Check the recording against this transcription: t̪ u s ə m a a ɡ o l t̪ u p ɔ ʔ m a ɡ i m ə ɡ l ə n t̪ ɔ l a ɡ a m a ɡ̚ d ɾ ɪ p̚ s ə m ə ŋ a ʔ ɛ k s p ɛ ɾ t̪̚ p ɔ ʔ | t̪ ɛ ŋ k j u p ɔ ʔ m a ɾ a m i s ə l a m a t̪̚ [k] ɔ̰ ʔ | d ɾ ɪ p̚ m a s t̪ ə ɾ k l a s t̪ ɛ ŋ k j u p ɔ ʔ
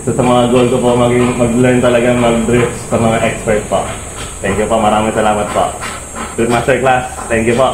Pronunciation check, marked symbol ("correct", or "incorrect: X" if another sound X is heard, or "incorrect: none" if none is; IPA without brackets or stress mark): incorrect: p